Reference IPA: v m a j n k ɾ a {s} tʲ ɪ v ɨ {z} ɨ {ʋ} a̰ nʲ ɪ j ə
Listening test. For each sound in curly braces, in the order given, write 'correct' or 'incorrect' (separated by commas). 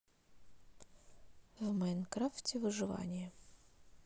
incorrect, incorrect, incorrect